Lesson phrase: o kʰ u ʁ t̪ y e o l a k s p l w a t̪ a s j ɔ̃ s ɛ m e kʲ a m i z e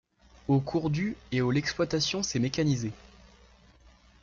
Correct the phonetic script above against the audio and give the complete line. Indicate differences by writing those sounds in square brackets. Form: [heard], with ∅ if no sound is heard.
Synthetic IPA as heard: o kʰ u ʁ [d̪] y e o l [ɛ] k s p l w a t̪ a s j ɔ̃ s ɛ m e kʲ a [n] i z e